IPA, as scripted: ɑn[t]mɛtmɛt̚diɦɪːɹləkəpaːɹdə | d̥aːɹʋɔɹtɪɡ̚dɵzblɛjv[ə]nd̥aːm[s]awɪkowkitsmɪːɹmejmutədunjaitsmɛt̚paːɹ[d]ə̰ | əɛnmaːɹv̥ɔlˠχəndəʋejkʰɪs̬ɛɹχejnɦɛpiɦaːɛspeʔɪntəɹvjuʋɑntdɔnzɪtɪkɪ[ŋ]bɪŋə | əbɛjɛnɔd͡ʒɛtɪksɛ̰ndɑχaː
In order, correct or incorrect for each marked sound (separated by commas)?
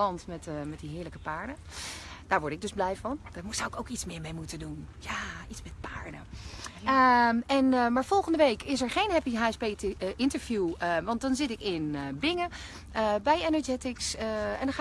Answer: correct, incorrect, correct, correct, incorrect